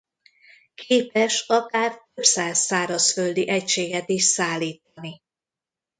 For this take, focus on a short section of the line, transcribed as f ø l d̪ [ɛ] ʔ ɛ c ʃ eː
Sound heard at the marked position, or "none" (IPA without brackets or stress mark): i